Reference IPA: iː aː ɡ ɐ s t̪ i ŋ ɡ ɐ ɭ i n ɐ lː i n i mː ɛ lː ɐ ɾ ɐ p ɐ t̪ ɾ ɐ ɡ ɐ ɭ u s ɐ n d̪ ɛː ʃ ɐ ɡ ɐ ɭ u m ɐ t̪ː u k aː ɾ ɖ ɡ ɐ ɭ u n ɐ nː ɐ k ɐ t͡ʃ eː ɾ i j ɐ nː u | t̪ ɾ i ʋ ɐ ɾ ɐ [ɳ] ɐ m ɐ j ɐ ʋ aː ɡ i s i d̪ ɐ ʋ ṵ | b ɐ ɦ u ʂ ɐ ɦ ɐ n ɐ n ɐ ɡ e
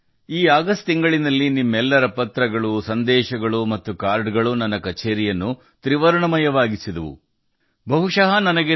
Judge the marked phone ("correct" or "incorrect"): correct